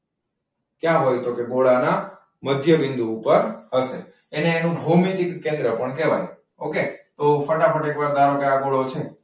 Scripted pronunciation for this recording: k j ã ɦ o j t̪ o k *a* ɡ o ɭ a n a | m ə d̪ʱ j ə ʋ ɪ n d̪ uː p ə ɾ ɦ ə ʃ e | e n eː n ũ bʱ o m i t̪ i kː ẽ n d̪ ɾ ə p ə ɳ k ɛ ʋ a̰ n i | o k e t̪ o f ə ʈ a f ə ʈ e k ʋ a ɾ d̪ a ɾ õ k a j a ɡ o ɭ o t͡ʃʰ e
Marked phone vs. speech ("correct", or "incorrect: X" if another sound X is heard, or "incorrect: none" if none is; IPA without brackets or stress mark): incorrect: e